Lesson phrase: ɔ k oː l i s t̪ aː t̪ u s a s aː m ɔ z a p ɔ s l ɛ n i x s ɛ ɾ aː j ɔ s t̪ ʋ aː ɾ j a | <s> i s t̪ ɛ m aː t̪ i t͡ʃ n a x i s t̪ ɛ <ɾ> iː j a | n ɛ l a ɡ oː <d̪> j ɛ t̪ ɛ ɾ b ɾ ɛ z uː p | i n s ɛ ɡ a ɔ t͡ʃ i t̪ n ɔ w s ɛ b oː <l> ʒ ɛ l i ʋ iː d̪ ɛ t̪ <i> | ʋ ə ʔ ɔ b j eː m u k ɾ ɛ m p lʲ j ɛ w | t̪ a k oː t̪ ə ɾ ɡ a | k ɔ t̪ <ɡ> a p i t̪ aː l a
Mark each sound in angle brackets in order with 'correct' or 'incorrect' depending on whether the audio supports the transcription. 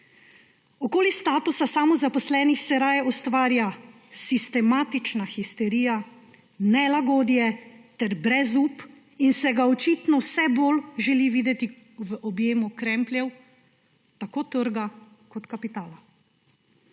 correct, correct, correct, correct, correct, incorrect: k

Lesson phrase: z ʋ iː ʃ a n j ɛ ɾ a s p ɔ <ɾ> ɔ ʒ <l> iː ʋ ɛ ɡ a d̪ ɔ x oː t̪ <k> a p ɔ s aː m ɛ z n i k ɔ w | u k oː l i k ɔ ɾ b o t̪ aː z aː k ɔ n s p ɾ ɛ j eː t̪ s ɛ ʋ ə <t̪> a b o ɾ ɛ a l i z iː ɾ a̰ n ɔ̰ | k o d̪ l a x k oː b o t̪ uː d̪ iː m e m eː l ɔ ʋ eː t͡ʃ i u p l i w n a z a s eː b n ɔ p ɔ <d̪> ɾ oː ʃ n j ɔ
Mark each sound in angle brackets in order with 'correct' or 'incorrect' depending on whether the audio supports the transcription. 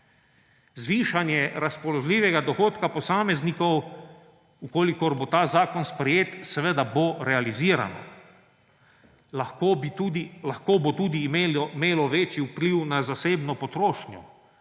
incorrect: l, correct, correct, incorrect: d̪, incorrect: t̪

